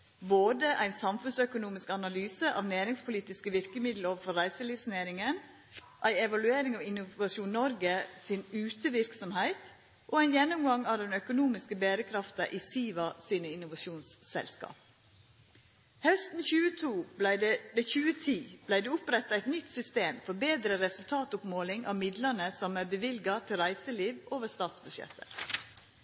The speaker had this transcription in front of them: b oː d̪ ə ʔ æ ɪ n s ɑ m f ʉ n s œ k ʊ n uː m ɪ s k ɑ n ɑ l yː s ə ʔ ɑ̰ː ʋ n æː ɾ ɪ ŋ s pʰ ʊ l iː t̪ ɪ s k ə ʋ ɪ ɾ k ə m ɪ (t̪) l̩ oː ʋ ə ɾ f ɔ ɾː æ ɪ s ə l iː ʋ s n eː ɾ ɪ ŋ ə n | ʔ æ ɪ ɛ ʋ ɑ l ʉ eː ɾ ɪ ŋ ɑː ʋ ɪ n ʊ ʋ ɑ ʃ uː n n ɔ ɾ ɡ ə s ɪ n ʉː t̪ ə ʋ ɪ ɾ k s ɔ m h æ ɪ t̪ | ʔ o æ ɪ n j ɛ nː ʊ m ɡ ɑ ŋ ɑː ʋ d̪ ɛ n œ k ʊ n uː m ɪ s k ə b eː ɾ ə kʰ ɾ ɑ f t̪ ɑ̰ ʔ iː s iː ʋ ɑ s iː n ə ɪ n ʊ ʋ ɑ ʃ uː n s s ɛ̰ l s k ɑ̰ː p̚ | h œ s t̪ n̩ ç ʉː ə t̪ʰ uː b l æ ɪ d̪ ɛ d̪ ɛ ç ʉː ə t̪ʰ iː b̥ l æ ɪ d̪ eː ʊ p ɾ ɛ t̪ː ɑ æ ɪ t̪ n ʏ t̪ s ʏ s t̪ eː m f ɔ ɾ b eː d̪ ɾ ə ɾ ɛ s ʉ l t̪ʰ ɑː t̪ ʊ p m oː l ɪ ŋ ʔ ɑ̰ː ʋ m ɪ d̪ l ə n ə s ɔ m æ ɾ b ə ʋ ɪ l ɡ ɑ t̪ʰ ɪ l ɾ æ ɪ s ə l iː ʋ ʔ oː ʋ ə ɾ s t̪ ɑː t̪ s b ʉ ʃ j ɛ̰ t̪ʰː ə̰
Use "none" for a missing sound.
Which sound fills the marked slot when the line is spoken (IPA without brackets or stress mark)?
d̪